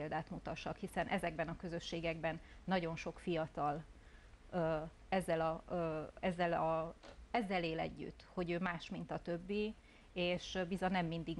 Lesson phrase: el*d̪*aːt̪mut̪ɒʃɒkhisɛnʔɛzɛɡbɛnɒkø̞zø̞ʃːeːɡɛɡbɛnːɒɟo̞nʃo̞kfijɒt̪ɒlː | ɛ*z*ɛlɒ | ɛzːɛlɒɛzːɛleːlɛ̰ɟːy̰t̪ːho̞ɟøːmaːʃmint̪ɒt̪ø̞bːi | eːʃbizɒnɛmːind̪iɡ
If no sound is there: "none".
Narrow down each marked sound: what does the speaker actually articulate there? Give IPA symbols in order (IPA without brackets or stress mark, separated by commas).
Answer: d̪, zː